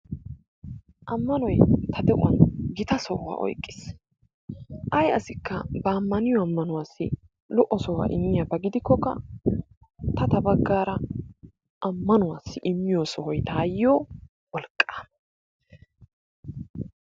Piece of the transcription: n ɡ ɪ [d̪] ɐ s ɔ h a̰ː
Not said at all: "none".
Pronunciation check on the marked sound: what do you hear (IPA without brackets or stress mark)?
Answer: t̪